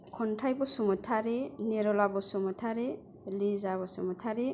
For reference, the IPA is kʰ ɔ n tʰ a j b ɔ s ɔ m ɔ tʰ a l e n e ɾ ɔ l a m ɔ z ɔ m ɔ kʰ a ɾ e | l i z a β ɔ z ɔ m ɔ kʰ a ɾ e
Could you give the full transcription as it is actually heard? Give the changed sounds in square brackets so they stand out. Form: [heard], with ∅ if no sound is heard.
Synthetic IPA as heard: kʰ ɔ n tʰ a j b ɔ s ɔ m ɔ tʰ a [ɾ] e n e ɾ ɔ l a [b] ɔ [s] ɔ m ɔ [tʰ] a ɾ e | l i z a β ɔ [s] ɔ m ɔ [tʰ] a ɾ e